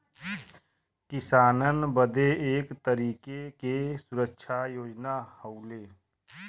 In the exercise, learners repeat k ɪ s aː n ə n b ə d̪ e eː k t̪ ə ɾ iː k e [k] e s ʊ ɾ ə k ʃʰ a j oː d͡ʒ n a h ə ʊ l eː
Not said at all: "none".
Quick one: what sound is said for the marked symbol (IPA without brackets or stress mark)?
k